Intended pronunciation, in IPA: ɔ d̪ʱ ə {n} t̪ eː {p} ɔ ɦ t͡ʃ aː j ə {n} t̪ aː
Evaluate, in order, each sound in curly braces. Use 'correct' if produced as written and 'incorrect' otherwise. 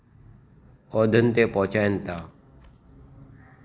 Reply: correct, correct, correct

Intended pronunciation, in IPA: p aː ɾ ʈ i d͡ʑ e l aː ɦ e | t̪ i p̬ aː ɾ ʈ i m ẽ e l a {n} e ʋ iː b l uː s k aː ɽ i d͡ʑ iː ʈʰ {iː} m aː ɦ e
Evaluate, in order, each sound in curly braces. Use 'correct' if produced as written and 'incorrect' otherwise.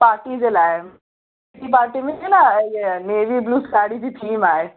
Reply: correct, correct

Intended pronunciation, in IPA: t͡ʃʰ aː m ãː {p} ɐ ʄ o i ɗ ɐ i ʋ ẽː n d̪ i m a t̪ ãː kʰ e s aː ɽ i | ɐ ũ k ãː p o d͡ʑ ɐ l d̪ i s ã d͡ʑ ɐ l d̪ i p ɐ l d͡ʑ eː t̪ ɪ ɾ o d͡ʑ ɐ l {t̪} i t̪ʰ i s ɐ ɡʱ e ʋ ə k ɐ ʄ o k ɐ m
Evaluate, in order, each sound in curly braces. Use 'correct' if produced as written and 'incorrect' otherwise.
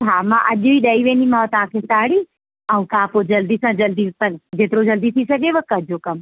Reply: incorrect: ʔ, incorrect: d̪

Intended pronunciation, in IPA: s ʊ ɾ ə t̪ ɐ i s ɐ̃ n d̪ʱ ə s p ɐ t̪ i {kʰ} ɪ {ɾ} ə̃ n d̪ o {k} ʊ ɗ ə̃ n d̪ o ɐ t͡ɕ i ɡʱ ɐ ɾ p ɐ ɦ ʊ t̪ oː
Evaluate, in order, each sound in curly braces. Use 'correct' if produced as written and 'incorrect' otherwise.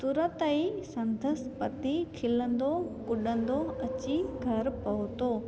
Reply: correct, incorrect: l, correct

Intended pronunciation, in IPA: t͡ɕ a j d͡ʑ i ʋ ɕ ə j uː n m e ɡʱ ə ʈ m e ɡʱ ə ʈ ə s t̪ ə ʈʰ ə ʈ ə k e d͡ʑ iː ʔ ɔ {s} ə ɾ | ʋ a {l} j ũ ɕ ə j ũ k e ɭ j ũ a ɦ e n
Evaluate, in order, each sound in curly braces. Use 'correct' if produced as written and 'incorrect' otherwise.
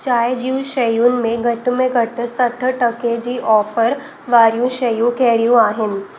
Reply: incorrect: f, incorrect: ɾ

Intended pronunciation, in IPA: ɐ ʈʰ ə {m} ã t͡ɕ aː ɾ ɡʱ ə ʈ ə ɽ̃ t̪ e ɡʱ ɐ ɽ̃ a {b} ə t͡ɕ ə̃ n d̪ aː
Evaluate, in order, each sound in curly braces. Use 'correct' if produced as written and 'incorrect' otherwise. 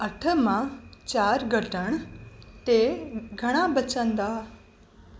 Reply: correct, correct

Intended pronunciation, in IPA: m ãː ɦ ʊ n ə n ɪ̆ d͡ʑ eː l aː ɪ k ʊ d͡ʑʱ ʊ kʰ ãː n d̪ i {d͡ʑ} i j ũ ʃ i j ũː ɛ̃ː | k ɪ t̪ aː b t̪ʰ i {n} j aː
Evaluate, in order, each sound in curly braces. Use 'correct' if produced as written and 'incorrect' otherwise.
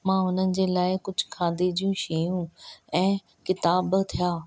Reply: correct, incorrect: none

